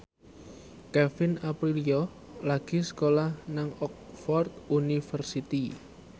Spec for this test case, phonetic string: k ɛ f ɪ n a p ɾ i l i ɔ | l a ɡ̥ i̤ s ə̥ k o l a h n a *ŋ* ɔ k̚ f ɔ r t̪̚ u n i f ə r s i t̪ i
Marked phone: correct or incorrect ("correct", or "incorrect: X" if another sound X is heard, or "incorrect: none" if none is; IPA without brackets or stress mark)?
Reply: correct